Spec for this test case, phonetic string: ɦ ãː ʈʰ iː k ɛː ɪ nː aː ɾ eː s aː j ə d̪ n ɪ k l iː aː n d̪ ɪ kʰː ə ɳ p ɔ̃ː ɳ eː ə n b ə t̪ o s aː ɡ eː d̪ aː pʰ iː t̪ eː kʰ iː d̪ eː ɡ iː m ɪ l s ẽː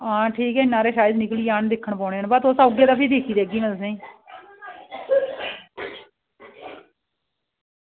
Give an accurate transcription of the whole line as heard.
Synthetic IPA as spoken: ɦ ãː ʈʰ iː k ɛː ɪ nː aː ɾ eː ʃ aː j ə d̪ n ɪ k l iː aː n d̪ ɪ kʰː ə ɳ p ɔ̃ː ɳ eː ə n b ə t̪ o s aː ɡ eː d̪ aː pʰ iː d̪ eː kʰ iː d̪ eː ɡ iː m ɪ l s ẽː